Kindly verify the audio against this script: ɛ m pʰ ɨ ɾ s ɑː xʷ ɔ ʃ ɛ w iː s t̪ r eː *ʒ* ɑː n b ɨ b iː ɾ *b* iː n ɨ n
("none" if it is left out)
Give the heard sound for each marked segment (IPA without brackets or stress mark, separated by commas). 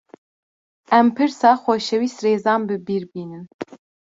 z, b